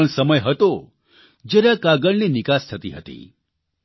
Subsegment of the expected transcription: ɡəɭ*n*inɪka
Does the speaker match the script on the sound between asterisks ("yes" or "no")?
yes